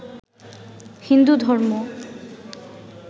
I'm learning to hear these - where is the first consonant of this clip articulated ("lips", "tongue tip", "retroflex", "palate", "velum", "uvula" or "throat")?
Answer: throat